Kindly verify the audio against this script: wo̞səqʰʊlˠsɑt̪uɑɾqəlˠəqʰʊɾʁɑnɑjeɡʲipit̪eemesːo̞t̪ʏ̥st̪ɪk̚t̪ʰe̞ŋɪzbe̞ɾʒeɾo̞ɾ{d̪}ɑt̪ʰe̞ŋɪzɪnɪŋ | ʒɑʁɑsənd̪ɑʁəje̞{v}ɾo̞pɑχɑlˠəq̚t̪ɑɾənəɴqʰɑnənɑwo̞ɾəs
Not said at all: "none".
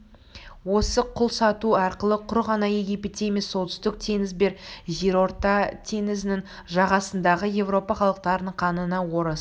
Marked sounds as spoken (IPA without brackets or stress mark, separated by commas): t̪, v